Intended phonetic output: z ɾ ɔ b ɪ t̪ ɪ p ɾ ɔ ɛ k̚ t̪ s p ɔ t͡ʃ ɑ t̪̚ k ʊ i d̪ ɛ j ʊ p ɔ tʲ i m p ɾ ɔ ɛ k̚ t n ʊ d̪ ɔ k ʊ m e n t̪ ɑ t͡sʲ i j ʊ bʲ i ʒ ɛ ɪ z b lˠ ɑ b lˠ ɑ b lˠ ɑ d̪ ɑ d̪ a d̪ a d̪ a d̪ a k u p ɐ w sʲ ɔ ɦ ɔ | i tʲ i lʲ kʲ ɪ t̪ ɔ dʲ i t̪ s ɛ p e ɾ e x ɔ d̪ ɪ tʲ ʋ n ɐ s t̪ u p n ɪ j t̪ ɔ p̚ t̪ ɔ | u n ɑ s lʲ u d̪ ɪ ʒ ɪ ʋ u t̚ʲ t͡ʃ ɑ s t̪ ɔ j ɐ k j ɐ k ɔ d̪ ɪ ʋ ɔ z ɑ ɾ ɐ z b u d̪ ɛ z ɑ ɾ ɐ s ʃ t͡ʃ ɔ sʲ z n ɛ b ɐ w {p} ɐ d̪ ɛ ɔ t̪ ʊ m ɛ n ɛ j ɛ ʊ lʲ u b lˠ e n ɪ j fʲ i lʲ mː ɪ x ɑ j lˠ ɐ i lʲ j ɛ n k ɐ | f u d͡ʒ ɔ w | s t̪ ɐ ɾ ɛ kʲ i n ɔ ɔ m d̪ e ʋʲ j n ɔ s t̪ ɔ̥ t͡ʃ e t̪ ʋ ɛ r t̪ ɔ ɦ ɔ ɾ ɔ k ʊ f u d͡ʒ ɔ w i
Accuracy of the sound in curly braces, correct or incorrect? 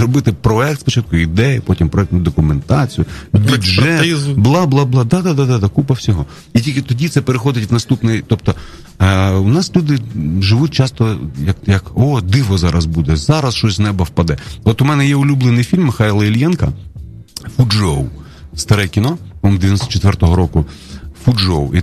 correct